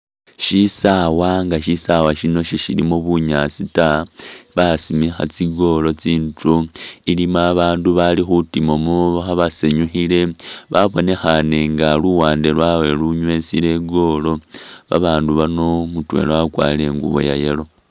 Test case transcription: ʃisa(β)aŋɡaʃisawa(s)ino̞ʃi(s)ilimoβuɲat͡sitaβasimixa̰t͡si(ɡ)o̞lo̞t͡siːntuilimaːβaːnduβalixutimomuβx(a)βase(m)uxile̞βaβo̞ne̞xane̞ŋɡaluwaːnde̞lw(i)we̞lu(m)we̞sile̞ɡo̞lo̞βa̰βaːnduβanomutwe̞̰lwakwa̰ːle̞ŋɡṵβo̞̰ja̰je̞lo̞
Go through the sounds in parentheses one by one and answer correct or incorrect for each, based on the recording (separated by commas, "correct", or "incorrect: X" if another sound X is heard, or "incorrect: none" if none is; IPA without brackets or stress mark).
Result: incorrect: w, incorrect: ʃ, incorrect: ʃ, correct, correct, incorrect: ɲ, incorrect: a, incorrect: ɲ